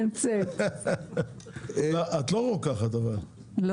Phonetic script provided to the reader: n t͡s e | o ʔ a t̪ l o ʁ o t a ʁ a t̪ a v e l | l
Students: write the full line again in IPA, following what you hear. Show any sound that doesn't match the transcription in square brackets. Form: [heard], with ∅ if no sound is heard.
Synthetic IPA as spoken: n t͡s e | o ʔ a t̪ l o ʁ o [k] a [χ] a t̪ a v [a] l | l